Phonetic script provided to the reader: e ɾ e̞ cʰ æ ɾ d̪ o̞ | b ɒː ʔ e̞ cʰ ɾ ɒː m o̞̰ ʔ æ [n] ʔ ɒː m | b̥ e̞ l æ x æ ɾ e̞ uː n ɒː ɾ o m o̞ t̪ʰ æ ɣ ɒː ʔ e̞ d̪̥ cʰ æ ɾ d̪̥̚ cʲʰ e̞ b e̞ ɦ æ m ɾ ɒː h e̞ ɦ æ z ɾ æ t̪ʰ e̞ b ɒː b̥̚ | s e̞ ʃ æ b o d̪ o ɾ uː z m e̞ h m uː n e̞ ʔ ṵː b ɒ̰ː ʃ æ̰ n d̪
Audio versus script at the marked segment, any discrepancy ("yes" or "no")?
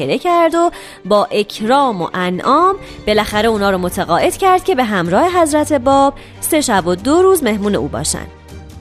no